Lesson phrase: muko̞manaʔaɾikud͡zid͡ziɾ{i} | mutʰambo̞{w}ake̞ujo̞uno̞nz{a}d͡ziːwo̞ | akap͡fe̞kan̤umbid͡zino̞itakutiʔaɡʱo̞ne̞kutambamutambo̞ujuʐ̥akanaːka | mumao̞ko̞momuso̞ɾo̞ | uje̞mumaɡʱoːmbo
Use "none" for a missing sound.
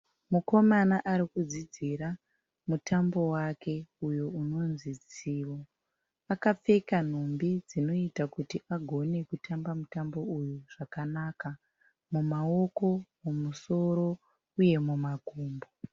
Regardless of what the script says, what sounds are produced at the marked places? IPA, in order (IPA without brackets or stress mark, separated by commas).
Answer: a, w, i